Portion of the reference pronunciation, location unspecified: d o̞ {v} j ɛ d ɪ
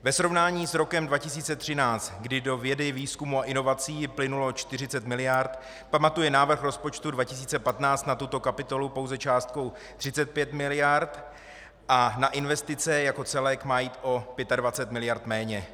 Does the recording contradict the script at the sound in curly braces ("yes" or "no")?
no